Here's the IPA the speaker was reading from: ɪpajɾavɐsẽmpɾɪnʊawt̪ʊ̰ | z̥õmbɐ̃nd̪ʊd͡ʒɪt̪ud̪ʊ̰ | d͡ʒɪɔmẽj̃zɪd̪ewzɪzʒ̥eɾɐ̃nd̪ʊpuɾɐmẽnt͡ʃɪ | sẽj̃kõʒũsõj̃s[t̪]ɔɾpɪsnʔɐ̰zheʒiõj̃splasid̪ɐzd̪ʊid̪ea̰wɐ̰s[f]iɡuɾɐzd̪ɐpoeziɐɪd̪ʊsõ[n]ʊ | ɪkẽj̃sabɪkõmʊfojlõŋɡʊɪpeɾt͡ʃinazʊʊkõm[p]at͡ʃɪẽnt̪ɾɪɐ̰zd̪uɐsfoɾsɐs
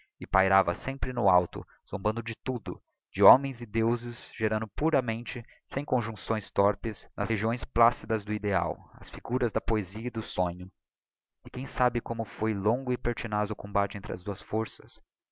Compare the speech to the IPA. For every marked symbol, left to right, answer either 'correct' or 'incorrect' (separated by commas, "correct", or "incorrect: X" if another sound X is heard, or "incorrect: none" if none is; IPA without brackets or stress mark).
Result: correct, correct, incorrect: ɲ, incorrect: b